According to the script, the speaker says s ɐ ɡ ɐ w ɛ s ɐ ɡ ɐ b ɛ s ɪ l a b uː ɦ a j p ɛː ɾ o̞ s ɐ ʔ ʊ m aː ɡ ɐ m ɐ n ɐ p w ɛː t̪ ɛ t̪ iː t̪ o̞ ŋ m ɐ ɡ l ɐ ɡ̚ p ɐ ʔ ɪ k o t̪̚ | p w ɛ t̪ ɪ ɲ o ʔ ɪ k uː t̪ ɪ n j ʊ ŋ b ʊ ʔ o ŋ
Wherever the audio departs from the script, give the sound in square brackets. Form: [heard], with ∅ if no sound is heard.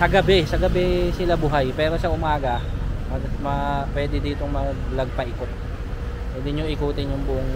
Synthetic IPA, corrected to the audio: s ɐ ɡ ɐ [b] ɛ s ɐ ɡ ɐ b ɛ s ɪ l a b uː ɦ a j p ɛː ɾ o̞ s ɐ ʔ ʊ m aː ɡ ɐ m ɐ [m] ɐ p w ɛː [d̪] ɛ [d̪] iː t̪ o̞ ŋ m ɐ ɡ l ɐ ɡ̚ p ɐ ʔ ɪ k o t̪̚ | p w ɛ [d̪] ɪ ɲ o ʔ ɪ k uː t̪ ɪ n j ʊ ŋ b ʊ ʔ o ŋ